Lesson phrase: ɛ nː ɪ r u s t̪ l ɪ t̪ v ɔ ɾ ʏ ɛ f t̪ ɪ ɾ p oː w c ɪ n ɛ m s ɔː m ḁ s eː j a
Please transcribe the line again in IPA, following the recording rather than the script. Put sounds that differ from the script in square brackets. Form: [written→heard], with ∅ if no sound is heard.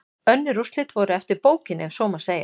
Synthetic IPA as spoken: [ɛ→œ] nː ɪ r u s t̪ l ɪ t̪ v ɔ ɾ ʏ ɛ f t̪ ɪ ɾ p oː w c ɪ n ɛ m s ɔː m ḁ s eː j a